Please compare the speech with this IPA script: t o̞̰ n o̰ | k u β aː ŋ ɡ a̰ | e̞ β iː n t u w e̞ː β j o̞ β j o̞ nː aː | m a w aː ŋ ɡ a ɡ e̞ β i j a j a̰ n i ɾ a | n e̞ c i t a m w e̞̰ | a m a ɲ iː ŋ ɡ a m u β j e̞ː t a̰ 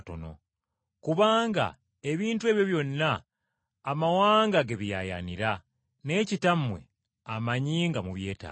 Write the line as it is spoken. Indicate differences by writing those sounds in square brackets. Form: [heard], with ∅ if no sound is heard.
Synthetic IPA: t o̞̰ n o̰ | k u β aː ŋ ɡ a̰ | e̞ β iː n t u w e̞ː β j o̞ β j o̞ nː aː | m a w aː ŋ ɡ a ɡ e̞ β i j a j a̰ n i ɾ a | n e̞ c i t a m w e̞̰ | a m a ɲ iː ŋ ɡ a m u β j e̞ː t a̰